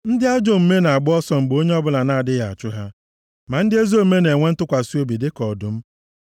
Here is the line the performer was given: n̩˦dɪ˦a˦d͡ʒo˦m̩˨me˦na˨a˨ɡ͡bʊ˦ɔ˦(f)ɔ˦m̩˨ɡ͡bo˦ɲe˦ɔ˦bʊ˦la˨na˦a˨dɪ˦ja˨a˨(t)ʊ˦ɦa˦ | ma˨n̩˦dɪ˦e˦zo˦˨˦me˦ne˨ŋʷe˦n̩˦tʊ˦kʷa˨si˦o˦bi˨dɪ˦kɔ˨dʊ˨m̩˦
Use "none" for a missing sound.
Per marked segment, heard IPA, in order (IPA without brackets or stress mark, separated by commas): s, t͡ʃ